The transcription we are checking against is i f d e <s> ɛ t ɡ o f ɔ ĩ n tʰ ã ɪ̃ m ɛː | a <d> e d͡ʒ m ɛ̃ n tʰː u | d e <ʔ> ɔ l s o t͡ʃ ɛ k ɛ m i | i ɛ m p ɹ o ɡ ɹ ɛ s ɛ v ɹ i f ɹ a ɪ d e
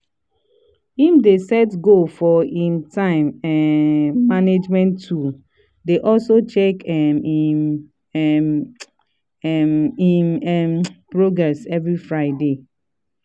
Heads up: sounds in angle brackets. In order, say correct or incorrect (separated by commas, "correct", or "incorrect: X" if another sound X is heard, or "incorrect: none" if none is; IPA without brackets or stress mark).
correct, incorrect: n, correct